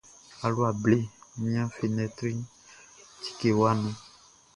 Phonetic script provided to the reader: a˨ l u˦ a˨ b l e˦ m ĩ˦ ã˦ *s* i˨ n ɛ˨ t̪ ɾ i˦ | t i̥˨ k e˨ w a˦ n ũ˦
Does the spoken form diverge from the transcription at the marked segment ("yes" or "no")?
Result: yes